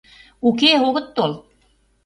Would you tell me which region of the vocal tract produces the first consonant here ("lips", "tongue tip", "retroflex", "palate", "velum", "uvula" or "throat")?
velum